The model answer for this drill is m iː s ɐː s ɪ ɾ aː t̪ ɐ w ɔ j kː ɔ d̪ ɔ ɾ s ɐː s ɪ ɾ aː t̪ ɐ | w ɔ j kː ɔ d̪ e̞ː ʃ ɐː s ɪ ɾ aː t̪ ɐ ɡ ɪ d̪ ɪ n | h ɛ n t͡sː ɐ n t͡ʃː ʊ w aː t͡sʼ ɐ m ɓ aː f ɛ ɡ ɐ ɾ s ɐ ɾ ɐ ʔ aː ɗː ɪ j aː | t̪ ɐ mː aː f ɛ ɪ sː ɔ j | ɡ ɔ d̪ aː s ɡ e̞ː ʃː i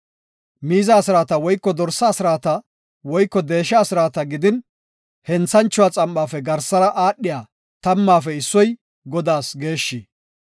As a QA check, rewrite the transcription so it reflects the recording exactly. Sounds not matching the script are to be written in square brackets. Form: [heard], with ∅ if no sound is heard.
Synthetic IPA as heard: m iː [z] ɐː s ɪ ɾ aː t̪ ɐ w ɔ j kː ɔ d̪ ɔ ɾ s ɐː s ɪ ɾ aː t̪ ɐ | w ɔ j kː ɔ d̪ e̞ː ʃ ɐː s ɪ ɾ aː t̪ ɐ ɡ ɪ d̪ ɪ n | h ɛ n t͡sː ɐ n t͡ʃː ʊ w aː t͡sʼ ɐ m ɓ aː f ɛ ɡ ɐ ɾ s ɐ ɾ ɐ ʔ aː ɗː ɪ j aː | t̪ ɐ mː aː f ɛ ɪ sː ɔ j | ɡ ɔ d̪ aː s ɡ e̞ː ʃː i